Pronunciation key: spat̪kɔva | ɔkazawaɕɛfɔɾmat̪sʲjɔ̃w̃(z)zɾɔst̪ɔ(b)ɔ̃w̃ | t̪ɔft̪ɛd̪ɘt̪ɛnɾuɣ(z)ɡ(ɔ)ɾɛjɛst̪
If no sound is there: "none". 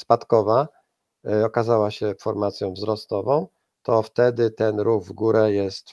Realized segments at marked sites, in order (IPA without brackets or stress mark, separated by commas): v, v, v, u